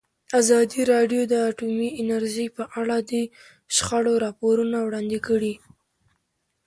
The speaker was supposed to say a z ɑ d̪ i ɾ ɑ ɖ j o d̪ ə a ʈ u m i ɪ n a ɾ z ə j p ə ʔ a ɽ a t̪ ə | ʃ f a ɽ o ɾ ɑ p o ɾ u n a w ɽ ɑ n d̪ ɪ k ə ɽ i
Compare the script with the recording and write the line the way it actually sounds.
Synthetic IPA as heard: a z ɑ d̪ i ɾ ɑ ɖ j o d̪ ə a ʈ u m i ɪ n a ɾ ʒ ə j p ə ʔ a ɽ a d̪ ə | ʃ x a ɽ o ɾ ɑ p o ɾ u n a w ɽ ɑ n d̪ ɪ k ə ɽ i